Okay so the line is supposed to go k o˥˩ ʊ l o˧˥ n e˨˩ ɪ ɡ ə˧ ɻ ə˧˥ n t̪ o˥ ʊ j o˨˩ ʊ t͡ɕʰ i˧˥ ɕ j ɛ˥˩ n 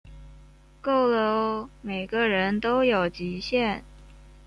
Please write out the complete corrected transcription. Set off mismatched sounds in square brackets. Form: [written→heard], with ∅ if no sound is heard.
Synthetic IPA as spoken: k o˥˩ ʊ l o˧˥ [n→m] e˨˩ ɪ ɡ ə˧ ɻ ə˧˥ n t̪ o˥ ʊ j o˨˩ ʊ [t͡ɕʰ→t͡ɕ] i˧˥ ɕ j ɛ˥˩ n